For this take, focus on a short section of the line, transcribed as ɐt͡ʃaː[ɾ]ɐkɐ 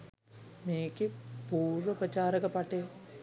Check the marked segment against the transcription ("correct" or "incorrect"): correct